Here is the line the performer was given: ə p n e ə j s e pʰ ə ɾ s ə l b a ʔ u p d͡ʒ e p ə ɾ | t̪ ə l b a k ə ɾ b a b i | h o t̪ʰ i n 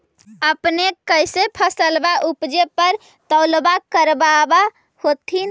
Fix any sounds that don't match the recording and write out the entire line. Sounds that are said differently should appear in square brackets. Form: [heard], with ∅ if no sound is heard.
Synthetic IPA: ə p n e ə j s e pʰ ə [∅] s ə l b a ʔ u p d͡ʒ e p ə ɾ | t̪ ə l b a k ə ɾ b a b [a] | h o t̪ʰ i n